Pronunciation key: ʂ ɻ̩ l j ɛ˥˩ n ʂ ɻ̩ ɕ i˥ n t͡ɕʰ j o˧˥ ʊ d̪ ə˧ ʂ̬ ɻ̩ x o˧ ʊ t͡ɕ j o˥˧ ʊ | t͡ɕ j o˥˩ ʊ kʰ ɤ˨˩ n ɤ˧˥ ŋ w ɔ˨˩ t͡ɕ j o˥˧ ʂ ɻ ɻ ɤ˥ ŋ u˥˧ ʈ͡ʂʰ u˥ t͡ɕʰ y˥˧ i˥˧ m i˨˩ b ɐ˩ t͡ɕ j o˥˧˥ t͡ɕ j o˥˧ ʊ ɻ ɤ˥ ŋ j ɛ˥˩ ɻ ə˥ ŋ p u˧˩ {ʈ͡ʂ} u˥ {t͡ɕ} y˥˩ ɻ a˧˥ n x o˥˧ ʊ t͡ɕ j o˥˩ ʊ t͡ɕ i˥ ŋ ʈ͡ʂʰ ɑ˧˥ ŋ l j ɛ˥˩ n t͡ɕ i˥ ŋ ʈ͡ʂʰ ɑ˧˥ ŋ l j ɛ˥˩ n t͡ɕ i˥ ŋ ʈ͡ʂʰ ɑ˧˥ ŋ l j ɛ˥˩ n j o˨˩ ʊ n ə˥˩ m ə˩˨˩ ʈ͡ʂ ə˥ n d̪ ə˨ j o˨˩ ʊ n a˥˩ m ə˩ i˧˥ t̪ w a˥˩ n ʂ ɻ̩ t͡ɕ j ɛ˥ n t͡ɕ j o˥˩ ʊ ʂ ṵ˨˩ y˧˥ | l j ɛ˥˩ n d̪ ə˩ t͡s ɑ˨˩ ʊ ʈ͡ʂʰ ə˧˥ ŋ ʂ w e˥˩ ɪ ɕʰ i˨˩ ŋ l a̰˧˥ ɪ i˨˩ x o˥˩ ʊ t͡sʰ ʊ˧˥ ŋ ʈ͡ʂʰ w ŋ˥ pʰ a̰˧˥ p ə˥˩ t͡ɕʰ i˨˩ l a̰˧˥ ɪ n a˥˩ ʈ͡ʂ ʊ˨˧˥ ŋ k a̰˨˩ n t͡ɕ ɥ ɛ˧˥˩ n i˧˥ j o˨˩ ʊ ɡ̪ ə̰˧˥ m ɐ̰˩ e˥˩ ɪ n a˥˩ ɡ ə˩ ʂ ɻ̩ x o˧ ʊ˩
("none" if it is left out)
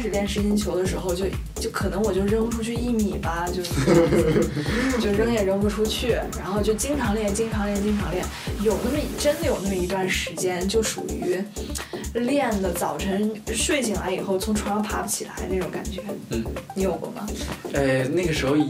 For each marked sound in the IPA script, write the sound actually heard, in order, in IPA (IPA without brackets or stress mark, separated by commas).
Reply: ʈ͡ʂʰ, t͡ɕʰ